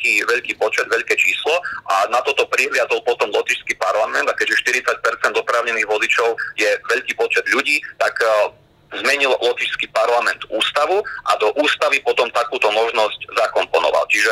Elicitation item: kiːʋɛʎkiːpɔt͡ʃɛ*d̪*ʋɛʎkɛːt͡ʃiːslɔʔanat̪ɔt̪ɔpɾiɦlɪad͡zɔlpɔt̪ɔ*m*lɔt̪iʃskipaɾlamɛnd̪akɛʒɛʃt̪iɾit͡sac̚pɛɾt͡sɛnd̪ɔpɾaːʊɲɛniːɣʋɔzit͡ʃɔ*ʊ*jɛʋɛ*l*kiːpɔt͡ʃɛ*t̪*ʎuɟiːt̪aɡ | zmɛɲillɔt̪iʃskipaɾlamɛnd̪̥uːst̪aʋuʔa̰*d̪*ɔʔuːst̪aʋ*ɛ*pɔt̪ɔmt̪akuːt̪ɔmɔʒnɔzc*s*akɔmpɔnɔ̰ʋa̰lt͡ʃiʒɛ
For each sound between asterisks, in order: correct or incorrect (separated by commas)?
correct, correct, correct, incorrect, incorrect, correct, incorrect, incorrect